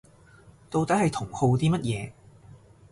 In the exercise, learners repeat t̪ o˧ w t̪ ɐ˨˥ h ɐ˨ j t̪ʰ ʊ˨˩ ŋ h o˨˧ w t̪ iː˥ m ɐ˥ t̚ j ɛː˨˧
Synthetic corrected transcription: t̪ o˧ w t̪ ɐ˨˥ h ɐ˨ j t̪ʰ ʊ˨˩ ŋ h o˨˧ w t̪ iː˥ m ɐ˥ t̚ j ɛː˨˧